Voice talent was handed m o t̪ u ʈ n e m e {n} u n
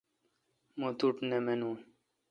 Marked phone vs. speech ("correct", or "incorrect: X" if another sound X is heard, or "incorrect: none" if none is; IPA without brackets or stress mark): correct